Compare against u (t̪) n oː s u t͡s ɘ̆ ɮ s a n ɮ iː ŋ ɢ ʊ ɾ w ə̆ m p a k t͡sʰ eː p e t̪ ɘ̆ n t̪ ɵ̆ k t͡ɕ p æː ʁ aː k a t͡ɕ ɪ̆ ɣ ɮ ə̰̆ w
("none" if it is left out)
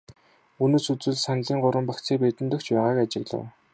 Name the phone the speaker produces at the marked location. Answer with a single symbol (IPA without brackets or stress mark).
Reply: none